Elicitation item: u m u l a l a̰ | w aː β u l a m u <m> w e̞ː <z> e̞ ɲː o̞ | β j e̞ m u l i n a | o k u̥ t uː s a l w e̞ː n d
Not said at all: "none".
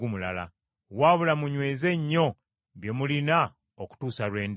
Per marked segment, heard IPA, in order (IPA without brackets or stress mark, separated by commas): ɲ, z